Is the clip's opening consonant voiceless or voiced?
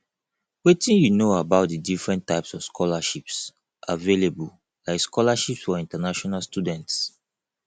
voiced